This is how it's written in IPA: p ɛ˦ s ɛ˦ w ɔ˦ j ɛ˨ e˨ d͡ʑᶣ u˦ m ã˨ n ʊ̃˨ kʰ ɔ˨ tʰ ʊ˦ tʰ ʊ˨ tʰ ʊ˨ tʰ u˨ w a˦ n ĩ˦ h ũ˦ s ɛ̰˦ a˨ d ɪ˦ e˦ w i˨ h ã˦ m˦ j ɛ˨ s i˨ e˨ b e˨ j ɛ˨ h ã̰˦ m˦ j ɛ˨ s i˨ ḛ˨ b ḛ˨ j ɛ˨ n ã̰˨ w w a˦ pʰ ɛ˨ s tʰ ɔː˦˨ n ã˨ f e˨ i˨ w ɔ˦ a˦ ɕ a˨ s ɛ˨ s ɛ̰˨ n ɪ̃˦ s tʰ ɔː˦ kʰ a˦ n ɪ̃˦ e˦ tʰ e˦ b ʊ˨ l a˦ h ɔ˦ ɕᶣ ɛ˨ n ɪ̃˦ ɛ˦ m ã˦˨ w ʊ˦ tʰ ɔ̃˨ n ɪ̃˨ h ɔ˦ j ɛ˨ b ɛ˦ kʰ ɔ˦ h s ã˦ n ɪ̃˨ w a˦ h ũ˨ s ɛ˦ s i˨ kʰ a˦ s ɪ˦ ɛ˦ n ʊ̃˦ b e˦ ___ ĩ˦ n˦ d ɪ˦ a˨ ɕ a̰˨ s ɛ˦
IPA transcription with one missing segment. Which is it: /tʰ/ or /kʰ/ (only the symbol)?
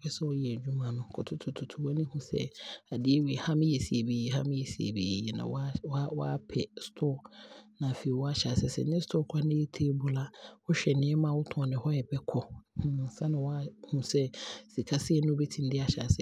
tʰ